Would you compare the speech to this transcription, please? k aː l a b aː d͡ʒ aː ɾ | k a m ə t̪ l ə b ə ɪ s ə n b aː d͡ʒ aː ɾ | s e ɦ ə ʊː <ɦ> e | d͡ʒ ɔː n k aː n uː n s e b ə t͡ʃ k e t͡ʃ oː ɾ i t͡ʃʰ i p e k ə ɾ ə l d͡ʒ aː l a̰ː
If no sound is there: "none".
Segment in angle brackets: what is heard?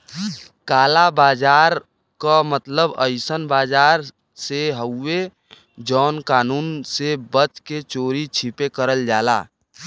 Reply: none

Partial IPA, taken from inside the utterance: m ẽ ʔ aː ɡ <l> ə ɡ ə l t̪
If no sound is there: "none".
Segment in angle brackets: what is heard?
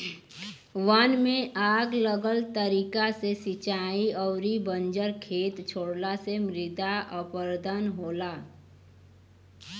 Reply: l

